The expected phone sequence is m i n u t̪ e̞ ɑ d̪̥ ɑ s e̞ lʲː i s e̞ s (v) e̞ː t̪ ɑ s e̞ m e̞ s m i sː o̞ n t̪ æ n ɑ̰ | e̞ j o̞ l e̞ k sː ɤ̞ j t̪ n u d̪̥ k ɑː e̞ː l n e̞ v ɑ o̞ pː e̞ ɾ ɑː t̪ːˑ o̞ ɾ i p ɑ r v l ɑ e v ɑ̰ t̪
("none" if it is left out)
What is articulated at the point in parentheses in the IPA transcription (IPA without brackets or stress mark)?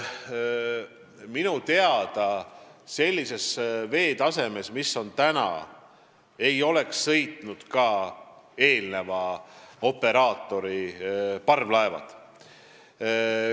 v